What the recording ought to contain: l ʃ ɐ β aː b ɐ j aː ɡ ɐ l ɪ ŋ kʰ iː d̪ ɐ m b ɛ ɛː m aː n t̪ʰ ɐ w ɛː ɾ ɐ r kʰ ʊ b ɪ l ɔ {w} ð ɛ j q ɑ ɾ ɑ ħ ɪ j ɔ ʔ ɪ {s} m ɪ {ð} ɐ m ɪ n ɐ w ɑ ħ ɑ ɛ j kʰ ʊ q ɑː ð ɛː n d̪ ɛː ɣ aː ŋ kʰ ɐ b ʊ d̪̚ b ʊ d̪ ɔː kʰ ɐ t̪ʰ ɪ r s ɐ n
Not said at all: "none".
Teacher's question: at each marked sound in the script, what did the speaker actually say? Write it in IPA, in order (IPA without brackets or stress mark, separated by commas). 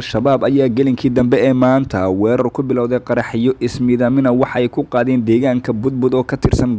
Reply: w, s, ð